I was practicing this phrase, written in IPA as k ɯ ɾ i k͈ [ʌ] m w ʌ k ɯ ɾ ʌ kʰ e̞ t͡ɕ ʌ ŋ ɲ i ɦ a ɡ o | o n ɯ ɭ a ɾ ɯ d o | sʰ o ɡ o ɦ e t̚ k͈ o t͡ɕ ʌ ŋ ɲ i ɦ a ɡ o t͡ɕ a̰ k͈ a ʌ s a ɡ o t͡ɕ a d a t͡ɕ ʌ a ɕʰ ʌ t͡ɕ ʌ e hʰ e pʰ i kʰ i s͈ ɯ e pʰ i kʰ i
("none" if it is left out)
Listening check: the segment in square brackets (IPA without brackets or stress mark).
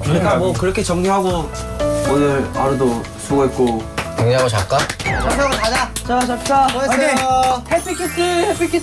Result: a